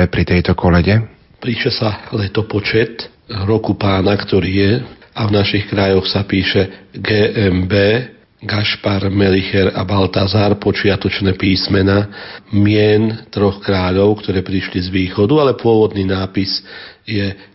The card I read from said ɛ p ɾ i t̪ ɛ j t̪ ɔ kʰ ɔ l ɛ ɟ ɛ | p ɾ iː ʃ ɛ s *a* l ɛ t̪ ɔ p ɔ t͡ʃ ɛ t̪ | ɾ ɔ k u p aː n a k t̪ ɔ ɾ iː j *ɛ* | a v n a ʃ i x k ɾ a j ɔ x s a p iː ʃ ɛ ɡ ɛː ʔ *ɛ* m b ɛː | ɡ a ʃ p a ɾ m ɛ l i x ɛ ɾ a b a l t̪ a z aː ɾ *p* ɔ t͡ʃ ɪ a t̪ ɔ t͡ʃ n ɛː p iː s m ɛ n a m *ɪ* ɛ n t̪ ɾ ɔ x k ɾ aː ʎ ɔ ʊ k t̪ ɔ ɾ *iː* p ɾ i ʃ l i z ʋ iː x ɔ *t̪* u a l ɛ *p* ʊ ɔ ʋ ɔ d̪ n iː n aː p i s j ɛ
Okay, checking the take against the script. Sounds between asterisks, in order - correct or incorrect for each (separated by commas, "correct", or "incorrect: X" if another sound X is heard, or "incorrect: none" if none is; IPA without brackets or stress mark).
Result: correct, correct, correct, correct, correct, incorrect: ɛː, incorrect: d̪, correct